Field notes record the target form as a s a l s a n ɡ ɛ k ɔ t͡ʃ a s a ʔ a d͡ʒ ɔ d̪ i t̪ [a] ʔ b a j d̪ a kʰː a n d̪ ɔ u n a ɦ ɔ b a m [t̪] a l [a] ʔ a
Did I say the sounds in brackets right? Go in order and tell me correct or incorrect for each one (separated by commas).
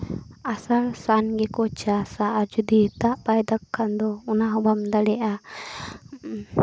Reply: correct, incorrect, incorrect